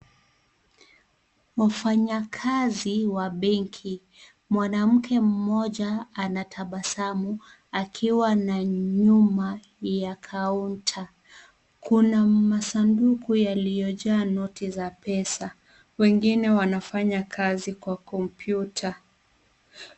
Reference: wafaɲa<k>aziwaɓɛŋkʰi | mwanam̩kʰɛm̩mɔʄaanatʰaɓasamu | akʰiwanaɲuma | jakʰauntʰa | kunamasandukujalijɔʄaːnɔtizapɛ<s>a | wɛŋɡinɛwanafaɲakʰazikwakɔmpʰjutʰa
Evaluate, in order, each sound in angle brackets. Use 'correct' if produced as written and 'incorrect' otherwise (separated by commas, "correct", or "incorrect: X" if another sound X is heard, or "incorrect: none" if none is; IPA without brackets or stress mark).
incorrect: kʰ, correct